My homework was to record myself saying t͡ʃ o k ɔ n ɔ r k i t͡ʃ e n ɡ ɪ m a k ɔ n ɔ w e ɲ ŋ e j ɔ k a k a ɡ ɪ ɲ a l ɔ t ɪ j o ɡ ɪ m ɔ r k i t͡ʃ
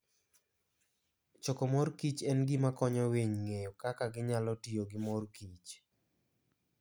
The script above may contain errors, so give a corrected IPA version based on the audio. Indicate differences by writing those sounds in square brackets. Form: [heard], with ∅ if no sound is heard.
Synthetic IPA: t͡ʃ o k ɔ [m] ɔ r k i t͡ʃ [ɛ] n ɡ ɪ m a k ɔ [ɲ] ɔ w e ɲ ŋ e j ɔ k a k a ɡ ɪ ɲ a l ɔ t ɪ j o ɡ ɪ m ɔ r k i t͡ʃ